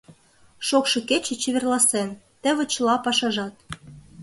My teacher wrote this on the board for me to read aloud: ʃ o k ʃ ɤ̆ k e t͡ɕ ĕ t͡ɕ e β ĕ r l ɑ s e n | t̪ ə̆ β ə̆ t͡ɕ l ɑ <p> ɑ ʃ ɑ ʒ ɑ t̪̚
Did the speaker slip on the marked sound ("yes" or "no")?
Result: no